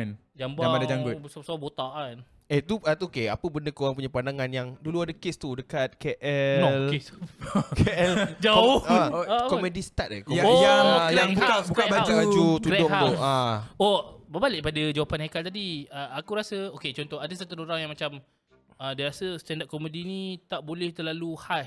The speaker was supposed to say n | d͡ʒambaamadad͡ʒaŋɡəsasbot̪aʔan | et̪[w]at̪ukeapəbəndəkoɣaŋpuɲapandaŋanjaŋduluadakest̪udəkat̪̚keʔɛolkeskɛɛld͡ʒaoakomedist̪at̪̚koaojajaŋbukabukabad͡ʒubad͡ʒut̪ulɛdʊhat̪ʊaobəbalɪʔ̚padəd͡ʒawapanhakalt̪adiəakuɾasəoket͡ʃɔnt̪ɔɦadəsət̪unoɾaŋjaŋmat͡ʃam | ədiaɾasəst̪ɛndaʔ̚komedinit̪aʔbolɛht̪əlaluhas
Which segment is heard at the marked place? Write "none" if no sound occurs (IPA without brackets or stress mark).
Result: u